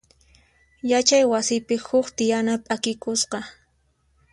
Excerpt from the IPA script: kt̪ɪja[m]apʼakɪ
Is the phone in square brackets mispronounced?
yes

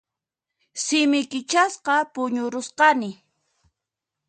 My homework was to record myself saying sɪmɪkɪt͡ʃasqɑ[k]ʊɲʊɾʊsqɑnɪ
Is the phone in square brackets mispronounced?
yes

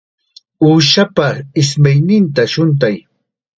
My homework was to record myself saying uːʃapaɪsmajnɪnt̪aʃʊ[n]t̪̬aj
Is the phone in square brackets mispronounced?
no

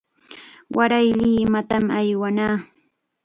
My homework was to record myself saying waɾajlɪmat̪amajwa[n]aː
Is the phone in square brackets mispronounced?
no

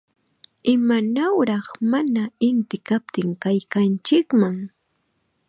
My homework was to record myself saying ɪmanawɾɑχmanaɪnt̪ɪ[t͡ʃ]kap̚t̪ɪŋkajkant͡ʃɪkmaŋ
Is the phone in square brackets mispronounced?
yes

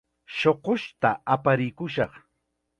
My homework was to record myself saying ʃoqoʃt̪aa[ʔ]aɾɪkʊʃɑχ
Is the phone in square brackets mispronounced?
yes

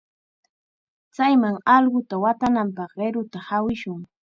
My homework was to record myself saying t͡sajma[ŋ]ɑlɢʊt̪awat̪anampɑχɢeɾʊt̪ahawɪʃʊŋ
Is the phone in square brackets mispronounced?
no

